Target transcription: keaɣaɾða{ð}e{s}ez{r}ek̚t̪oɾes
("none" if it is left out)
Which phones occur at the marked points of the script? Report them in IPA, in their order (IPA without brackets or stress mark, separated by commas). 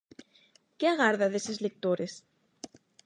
ð, s, l